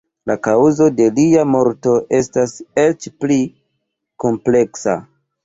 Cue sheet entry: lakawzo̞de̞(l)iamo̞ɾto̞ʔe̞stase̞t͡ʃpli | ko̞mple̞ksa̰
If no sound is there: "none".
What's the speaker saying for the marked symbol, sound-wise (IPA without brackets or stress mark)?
l